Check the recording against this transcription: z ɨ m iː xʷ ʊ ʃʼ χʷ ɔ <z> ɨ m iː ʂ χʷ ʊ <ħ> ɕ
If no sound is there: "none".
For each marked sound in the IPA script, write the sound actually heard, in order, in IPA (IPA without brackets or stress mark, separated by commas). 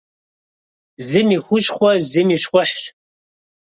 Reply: z, ħ